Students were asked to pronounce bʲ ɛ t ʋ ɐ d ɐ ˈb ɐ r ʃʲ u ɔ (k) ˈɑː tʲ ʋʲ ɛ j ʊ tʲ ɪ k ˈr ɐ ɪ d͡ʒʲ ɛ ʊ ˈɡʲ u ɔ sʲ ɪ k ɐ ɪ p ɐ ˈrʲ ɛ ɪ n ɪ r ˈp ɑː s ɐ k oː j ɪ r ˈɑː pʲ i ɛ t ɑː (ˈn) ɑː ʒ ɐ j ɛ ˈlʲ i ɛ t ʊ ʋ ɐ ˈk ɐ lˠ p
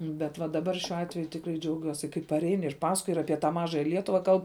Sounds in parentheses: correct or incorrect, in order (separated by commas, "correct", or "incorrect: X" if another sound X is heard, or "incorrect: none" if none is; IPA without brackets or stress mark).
incorrect: none, incorrect: m